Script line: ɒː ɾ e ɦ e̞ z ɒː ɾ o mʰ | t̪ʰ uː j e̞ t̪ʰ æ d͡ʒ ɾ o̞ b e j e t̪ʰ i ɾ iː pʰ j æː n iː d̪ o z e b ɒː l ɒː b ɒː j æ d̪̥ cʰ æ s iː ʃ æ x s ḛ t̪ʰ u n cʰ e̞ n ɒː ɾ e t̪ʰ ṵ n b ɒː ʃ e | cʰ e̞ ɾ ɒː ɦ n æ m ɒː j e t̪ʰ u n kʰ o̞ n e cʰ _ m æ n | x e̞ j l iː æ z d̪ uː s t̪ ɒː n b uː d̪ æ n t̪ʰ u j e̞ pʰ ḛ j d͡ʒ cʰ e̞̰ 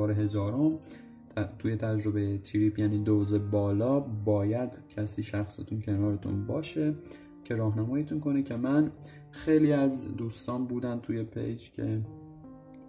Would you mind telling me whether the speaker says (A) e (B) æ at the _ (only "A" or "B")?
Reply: A